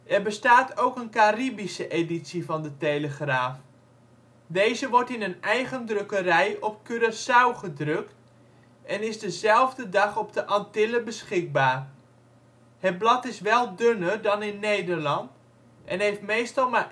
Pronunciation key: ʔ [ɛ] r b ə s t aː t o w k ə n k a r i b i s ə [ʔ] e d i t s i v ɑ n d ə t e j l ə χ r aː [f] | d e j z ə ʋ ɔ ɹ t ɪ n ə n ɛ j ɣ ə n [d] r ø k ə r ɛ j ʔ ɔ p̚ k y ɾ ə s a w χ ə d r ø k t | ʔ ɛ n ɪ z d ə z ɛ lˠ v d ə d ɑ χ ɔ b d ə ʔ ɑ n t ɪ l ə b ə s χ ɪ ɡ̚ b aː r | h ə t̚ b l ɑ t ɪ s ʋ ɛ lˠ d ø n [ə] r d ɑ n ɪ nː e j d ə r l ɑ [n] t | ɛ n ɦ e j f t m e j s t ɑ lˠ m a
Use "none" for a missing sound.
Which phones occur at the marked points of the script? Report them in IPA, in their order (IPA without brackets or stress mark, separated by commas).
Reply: ɛ, ʔ, f, d, ə, n